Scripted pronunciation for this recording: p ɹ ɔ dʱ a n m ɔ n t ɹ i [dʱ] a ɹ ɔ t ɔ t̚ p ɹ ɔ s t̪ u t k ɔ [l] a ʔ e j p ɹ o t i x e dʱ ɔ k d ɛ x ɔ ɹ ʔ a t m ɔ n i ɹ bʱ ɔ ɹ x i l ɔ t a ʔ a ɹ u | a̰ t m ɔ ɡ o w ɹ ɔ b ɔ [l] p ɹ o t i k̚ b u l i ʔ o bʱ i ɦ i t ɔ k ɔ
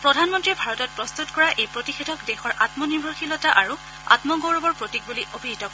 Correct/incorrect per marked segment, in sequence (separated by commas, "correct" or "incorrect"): incorrect, incorrect, incorrect